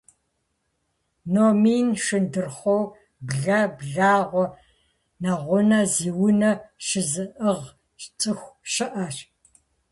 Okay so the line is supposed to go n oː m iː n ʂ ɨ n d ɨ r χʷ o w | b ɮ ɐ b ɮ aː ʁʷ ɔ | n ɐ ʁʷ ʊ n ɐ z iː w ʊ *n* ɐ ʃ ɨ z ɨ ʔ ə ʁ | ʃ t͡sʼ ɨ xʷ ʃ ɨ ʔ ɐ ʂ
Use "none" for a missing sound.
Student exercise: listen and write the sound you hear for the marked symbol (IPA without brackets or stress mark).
n